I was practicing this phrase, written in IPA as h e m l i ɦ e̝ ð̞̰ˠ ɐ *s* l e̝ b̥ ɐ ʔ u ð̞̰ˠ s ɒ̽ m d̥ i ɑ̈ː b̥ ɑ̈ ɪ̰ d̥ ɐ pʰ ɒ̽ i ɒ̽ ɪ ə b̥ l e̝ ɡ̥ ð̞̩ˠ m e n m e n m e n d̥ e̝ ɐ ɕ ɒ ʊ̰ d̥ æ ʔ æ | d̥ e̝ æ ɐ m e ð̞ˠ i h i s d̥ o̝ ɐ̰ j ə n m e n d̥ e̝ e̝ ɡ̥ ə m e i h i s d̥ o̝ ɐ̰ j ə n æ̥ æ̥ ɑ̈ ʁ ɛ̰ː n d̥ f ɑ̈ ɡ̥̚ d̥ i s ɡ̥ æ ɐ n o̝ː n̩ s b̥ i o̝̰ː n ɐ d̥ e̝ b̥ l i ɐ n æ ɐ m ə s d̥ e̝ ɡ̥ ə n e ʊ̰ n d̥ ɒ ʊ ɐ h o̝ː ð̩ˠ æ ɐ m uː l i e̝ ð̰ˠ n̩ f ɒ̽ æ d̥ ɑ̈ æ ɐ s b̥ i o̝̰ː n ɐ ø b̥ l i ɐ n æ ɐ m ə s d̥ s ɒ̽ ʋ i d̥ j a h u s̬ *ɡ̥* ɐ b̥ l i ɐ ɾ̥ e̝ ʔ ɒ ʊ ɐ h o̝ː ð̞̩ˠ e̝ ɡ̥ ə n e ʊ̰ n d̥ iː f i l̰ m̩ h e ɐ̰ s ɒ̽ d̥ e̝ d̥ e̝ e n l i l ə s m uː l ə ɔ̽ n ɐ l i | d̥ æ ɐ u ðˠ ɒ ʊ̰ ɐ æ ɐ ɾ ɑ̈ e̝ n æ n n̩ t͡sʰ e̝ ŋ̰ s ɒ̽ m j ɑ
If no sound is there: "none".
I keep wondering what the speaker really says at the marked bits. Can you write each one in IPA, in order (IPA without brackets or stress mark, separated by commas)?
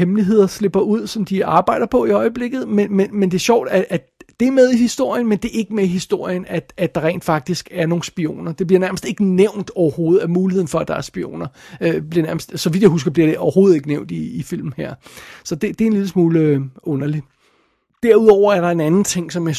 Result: s, ɡ̥